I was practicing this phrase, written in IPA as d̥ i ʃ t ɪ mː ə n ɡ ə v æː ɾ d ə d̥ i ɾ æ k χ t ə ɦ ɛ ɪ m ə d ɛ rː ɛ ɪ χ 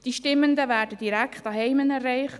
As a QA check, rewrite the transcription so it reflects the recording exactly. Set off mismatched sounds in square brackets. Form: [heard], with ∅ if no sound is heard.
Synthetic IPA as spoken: d̥ i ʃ t ɪ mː ə n [d] ə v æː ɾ d ə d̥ i ɾ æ k χ t [ɑ] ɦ ɛ ɪ m ə [n] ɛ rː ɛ ɪ χ